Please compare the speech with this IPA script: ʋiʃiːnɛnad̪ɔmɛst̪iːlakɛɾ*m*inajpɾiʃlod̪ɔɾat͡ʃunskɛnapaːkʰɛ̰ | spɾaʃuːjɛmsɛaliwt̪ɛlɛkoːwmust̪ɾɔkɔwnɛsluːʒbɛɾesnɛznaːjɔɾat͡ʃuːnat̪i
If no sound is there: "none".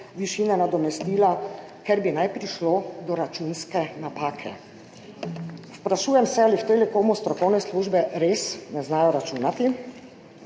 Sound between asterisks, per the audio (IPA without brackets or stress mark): b